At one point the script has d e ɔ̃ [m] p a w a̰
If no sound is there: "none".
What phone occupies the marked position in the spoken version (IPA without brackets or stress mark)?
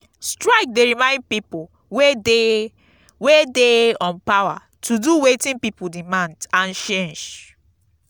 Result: n